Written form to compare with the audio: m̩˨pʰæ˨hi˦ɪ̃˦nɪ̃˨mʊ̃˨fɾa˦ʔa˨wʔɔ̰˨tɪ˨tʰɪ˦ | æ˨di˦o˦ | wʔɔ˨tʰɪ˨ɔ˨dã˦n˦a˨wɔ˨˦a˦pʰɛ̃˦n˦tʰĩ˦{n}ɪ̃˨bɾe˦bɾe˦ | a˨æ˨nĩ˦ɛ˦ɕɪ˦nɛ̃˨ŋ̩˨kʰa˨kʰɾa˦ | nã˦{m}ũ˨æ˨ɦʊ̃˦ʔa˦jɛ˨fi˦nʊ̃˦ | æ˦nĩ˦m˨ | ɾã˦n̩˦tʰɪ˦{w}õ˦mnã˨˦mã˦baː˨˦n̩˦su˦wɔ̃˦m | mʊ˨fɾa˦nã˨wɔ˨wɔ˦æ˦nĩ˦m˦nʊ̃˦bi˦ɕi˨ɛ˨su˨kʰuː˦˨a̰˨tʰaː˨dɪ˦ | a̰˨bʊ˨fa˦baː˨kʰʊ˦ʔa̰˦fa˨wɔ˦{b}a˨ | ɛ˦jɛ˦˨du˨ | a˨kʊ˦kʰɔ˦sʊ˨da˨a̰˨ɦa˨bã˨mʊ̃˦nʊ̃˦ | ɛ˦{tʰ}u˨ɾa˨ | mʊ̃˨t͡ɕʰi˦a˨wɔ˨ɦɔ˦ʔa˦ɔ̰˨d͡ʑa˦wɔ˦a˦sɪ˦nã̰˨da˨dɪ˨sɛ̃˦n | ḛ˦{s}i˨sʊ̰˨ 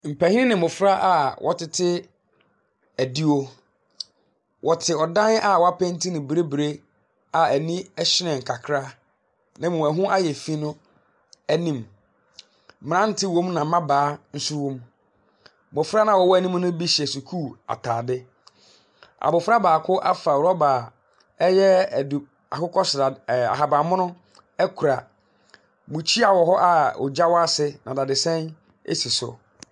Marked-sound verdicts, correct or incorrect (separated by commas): correct, correct, correct, correct, incorrect, correct